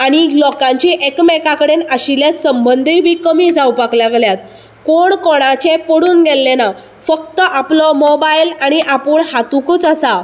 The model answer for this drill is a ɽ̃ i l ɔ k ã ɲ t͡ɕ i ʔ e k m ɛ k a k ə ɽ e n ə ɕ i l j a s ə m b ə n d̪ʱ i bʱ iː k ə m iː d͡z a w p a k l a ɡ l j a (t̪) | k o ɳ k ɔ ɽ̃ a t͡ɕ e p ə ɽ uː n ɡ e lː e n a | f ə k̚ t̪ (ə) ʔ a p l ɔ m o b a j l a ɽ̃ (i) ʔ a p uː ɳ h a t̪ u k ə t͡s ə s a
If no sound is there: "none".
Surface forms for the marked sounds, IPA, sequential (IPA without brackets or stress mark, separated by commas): t̪, ə, i